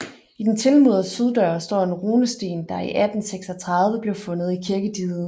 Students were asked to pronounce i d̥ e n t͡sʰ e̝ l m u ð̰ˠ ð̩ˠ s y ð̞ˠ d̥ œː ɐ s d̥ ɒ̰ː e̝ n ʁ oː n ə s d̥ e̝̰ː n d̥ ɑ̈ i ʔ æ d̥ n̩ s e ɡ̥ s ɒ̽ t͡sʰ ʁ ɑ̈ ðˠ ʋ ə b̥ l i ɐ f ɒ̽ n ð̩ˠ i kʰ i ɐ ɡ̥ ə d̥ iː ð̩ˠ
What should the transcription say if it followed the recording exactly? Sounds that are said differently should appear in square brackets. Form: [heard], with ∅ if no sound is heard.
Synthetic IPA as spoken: i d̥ e n t͡sʰ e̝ l m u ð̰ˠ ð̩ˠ s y ð̞ˠ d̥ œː ɐ s d̥ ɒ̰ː e̝ n ʁ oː n ə s d̥ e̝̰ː n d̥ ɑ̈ i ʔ æ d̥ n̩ s e ɡ̥ s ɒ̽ t͡sʰ ʁ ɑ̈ ðˠ ʋ ə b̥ l i ɐ f [ɔ̽] n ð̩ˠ i kʰ i ɐ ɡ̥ ə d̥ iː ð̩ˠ